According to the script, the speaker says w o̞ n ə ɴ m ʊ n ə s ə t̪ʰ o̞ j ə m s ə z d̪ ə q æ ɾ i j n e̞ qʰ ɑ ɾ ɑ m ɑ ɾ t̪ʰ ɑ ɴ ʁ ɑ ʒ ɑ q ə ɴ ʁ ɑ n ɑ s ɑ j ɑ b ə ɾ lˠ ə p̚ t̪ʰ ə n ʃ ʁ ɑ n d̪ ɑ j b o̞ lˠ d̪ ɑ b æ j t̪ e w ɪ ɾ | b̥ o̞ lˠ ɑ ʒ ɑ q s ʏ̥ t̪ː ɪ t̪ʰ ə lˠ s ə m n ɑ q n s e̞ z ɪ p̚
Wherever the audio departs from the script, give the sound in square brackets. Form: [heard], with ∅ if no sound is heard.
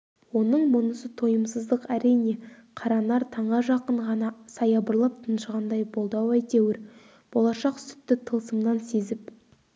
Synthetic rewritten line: w o̞ n ə ɴ m ʊ n ə s ə t̪ʰ o̞ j ə m s ə z d̪ ə q æ ɾ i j n e̞ qʰ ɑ ɾ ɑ [n] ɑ ɾ t̪ʰ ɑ ɴ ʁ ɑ ʒ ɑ q ə ɴ ʁ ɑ n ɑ s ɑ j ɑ b ə ɾ lˠ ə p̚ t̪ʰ ə n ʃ ʁ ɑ n d̪ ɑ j b o̞ lˠ d̪ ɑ [w] æ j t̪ e w ɪ ɾ | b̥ o̞ lˠ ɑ [ʃ] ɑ q s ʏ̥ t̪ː ɪ t̪ʰ ə lˠ s ə m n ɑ [∅] n s e̞ z ɪ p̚